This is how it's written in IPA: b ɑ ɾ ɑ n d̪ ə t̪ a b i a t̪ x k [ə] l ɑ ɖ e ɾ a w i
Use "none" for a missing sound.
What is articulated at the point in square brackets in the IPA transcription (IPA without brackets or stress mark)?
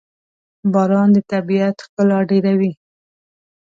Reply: ə